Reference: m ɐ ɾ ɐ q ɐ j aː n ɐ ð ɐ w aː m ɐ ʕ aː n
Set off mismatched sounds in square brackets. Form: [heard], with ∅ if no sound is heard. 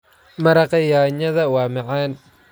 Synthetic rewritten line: m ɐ ɾ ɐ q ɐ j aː [ɲ] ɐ ð ɐ w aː m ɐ ʕ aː n